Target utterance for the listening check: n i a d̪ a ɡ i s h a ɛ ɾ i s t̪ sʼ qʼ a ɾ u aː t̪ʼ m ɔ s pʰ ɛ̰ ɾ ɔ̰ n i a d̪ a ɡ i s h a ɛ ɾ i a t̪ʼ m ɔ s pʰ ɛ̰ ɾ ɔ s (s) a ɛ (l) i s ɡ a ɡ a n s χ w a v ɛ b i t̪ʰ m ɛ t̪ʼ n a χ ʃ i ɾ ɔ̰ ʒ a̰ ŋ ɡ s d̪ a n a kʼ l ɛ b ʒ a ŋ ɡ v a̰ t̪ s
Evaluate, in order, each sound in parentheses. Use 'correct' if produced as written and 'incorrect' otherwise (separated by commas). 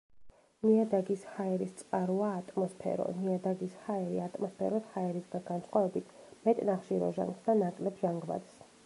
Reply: incorrect, incorrect